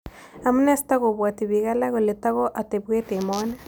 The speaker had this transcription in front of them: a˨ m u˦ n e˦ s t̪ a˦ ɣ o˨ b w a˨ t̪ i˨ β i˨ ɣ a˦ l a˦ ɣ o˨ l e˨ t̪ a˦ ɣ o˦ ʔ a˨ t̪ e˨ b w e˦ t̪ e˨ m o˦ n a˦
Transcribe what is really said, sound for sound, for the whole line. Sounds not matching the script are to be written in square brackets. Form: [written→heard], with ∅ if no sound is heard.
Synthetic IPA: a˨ m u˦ n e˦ s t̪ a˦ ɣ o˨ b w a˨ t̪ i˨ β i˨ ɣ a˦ l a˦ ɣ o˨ l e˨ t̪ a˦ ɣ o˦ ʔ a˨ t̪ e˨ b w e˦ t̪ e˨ m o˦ n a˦

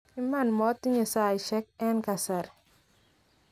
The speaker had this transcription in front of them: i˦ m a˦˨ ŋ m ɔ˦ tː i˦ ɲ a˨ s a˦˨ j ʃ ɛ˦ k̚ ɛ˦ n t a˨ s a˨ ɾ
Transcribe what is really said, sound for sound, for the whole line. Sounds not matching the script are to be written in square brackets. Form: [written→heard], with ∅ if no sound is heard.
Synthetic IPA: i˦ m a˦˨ [ŋ→n] m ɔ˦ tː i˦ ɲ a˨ s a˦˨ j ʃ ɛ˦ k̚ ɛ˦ n [t→k] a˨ s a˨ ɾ

